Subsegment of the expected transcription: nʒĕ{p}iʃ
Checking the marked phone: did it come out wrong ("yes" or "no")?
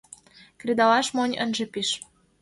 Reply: no